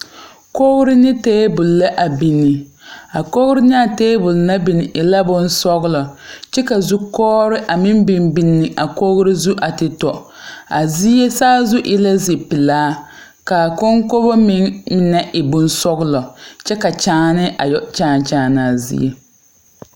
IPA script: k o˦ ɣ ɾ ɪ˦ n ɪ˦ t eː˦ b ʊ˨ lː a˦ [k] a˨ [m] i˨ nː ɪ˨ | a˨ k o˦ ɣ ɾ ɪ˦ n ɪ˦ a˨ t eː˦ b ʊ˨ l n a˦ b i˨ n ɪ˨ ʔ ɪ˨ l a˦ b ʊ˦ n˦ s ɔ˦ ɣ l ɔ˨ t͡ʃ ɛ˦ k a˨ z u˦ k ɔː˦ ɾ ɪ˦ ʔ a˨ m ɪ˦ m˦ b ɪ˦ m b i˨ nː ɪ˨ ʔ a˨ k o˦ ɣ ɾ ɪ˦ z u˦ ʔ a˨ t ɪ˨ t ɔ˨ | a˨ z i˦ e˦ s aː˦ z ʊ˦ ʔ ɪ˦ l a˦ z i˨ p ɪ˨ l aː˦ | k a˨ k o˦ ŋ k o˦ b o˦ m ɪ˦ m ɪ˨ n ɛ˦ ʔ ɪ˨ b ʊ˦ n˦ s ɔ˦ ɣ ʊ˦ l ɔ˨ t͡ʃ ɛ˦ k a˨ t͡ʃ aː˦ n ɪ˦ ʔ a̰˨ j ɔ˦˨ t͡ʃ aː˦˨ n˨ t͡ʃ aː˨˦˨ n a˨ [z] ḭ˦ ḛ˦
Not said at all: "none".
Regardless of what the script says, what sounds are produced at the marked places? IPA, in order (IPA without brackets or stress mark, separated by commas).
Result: ʔ, b, z